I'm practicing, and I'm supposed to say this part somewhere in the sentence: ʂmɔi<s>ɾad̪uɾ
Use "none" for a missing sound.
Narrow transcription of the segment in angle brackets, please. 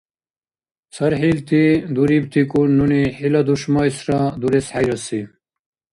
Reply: s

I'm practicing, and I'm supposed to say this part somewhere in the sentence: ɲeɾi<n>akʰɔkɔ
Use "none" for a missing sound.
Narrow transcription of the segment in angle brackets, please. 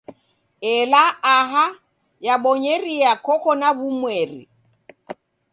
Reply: none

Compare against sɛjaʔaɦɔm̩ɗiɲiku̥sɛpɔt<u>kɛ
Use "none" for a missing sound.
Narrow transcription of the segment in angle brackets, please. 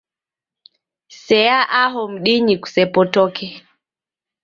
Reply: ɔ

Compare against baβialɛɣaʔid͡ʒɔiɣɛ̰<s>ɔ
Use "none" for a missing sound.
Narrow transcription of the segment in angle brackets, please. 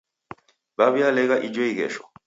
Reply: ʃ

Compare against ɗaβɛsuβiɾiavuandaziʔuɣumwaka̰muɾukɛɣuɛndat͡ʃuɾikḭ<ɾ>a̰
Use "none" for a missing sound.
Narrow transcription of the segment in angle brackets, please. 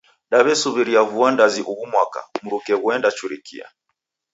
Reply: none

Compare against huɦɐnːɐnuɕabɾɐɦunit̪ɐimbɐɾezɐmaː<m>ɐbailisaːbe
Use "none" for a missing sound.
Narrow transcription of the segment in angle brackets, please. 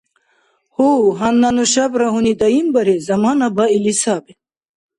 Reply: n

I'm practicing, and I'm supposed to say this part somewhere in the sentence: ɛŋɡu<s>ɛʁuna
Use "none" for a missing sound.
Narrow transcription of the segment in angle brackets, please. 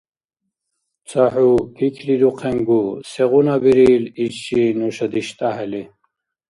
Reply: s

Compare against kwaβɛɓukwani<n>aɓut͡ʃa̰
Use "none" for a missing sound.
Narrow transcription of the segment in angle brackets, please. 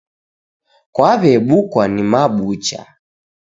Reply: m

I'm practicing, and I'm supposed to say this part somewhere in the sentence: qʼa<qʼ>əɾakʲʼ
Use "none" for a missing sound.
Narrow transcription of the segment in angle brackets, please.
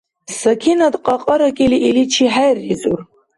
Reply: qʼ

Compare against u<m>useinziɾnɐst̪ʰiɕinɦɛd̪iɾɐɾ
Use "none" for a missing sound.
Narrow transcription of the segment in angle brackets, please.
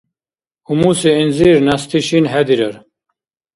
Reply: m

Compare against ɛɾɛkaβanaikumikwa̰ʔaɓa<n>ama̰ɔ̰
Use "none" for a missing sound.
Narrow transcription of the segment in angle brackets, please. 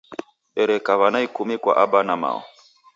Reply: n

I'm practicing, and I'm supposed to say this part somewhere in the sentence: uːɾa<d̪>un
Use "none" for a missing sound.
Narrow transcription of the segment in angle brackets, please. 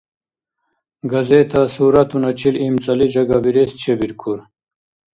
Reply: t̪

